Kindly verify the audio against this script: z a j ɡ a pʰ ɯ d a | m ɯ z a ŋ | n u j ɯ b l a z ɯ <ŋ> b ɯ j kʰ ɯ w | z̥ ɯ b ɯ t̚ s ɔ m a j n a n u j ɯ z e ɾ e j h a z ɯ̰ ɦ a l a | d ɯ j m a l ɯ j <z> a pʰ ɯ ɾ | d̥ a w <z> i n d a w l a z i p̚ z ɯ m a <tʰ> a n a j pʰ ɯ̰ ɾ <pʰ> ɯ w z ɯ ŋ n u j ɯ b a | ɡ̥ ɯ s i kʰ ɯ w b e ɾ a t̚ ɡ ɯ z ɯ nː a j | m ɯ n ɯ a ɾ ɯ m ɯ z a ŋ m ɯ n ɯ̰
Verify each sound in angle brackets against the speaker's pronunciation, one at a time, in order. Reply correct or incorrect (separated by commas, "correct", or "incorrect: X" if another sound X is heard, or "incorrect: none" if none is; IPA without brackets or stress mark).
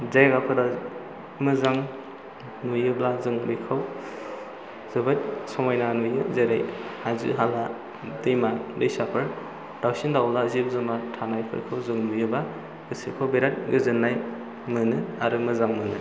correct, incorrect: s, incorrect: s, correct, incorrect: kʰ